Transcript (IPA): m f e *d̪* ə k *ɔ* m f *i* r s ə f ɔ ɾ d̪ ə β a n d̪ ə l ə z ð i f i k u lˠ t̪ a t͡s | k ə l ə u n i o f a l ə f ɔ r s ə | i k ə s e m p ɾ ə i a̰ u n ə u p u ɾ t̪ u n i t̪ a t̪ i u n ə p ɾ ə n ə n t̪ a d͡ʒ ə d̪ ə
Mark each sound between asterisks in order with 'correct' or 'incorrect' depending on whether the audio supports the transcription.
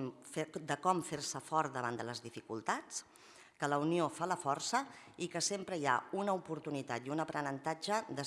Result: correct, correct, incorrect: e

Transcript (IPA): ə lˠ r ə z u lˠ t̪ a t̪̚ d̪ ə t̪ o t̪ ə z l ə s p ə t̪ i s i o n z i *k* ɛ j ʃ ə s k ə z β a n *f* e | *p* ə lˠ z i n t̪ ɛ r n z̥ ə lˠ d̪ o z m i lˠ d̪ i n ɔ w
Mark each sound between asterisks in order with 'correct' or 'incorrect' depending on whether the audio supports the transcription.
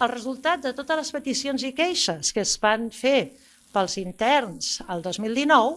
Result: correct, correct, correct

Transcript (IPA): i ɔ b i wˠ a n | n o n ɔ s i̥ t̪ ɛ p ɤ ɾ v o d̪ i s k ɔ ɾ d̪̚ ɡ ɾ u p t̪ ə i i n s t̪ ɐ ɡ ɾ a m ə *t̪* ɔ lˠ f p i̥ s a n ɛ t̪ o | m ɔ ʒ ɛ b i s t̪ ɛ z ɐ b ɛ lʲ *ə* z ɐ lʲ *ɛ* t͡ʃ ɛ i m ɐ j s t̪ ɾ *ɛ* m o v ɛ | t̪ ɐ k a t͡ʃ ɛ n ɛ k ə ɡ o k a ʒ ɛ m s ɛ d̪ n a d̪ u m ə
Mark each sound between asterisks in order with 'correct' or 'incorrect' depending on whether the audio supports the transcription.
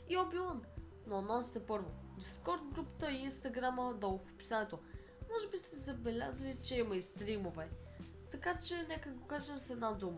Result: incorrect: d̪, incorrect: a, incorrect: i, incorrect: i

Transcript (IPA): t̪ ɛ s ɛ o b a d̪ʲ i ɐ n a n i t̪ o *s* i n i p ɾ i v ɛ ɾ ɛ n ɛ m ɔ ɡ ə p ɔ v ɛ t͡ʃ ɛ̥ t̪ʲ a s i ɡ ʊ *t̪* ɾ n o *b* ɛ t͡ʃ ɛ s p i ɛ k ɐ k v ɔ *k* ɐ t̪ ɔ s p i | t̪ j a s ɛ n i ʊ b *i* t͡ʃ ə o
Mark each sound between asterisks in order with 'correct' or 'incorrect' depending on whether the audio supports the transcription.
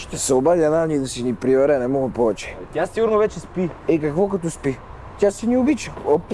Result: correct, incorrect: none, incorrect: v, correct, correct

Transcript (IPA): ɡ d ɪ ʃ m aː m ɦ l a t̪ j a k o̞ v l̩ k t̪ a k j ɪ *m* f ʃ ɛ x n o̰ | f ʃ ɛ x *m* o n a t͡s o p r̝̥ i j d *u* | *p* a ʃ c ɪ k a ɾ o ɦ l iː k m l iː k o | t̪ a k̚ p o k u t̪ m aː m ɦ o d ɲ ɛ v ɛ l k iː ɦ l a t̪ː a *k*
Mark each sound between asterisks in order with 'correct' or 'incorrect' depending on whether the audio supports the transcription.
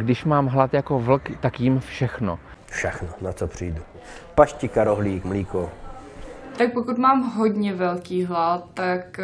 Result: correct, incorrect: n, correct, correct, correct

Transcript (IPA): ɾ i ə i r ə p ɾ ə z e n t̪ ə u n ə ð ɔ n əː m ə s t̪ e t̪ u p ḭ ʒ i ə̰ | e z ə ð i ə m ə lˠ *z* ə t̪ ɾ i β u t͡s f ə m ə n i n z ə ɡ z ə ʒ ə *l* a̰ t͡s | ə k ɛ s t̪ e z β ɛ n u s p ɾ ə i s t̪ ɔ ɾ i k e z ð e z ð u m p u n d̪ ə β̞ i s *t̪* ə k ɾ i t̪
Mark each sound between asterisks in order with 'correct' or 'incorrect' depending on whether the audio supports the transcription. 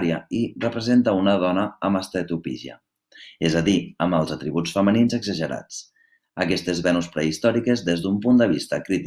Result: correct, incorrect: ɾ, correct

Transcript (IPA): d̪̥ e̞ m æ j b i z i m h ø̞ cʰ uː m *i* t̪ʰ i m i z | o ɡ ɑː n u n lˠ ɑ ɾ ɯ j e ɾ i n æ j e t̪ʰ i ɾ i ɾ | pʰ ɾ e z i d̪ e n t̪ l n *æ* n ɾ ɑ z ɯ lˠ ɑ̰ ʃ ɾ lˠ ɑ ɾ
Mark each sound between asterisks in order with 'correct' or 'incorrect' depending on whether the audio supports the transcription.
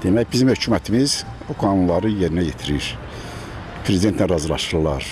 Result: incorrect: æ, correct

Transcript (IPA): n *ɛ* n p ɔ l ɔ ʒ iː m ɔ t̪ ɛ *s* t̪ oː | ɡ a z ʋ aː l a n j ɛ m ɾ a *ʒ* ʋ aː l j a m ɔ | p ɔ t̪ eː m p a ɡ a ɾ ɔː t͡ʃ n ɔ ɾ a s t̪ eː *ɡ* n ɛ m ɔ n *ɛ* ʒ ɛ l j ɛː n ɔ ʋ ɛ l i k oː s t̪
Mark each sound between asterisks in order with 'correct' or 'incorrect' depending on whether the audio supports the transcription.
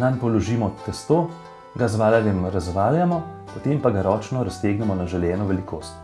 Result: incorrect: a, correct, incorrect: z, correct, incorrect: a

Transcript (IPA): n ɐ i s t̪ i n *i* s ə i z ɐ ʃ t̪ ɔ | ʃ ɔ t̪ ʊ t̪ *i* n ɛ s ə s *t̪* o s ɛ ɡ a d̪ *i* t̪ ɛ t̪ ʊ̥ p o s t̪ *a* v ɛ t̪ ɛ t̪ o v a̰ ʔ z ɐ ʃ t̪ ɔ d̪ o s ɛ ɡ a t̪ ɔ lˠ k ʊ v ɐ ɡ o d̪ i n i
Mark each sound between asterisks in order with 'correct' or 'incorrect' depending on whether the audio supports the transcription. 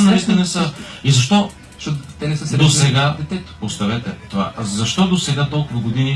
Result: incorrect: ɛ, incorrect: ɛ, incorrect: d̪, incorrect: ɛ, incorrect: ɐ

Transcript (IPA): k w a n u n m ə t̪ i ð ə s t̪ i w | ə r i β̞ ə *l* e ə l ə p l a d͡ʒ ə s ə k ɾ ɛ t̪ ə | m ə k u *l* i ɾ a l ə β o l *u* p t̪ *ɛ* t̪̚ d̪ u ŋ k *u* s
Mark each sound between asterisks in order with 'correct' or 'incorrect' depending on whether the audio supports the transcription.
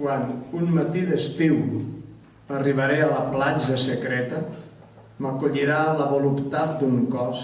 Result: incorrect: ɾ, incorrect: ʎ, correct, incorrect: a, incorrect: ɔ

